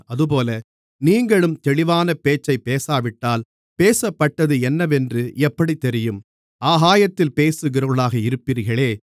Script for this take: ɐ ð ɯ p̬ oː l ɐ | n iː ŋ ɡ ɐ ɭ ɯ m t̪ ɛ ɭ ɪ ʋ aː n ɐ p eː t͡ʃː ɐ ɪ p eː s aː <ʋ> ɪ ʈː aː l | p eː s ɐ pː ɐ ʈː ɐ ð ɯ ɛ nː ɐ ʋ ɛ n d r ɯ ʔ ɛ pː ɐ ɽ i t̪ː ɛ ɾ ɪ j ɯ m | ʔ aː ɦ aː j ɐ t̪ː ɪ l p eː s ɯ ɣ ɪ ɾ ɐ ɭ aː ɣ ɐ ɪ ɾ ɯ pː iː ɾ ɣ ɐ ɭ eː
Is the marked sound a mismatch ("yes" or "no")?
no